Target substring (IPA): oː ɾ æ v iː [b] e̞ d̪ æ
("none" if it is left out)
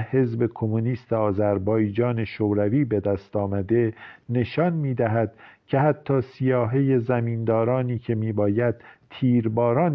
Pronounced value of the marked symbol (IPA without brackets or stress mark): b